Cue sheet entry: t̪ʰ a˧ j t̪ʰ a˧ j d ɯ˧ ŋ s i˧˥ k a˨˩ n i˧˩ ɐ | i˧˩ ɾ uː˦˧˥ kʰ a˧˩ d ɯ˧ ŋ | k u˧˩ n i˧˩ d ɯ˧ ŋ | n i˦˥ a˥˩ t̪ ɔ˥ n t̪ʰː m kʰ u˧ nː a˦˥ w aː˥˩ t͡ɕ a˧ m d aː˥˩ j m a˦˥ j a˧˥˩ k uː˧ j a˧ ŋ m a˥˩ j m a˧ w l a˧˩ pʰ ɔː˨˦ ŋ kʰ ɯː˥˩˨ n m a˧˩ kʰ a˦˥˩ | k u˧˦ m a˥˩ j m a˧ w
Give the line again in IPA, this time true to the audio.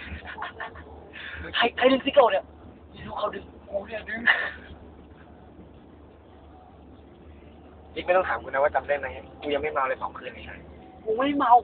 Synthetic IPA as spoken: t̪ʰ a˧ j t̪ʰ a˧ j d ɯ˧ ŋ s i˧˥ k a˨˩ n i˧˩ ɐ | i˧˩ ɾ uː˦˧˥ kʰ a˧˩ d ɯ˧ ŋ | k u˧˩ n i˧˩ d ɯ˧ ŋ | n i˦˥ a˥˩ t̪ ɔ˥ ŋ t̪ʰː m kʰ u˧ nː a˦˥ w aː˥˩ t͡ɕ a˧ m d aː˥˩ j m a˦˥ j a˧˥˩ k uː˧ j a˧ ŋ m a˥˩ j m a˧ w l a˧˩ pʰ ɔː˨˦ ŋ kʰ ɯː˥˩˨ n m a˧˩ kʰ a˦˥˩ | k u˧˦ m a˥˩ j m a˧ w